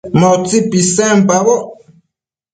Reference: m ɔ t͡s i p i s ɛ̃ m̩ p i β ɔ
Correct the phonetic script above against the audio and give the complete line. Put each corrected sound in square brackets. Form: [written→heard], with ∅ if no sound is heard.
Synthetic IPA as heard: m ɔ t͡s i p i s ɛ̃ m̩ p [i→a] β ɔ